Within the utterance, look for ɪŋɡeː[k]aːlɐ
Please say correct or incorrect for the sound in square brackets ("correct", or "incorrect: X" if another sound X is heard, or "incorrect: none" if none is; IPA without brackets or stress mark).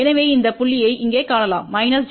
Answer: correct